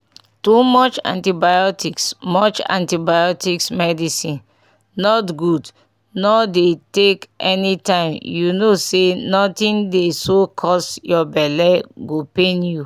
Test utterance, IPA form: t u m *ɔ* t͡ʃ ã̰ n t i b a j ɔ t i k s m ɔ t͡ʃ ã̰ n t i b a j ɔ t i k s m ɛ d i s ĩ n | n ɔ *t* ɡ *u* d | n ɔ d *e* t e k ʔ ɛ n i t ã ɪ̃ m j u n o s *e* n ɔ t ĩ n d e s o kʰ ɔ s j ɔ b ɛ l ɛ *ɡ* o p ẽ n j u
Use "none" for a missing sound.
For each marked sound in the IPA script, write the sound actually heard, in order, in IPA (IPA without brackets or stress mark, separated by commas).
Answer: ɔ, t, u, e, e, ɡ